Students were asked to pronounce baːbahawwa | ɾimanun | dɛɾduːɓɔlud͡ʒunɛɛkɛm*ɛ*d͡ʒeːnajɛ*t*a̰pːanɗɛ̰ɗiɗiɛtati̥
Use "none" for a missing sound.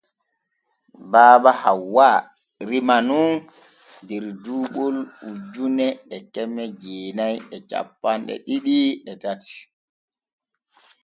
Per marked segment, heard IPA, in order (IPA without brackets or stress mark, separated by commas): ɛ, t͡ʃ